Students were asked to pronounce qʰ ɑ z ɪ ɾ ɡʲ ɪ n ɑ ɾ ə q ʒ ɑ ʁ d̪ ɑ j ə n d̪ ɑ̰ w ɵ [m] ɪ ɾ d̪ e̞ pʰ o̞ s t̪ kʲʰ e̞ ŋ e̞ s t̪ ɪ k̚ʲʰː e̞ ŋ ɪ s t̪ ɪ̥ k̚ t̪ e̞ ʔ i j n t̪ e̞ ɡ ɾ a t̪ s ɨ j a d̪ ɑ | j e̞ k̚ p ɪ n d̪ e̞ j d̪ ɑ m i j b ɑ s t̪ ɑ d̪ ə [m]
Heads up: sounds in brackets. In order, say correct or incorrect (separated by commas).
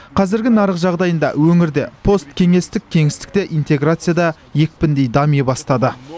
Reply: incorrect, incorrect